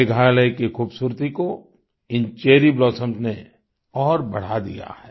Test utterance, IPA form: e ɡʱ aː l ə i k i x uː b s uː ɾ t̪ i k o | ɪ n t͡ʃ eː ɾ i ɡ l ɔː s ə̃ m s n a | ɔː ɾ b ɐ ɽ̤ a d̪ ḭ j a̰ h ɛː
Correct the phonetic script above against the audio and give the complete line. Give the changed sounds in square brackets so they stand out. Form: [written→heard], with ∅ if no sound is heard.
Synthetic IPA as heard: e ɡʱ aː l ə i k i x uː b s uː ɾ t̪ i k o | ɪ n t͡ʃ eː ɾ i [ɡ→b] l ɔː s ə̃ m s n [a→e] | ɔː ɾ b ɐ ɽ̤ a d̪ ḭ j a̰ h ɛː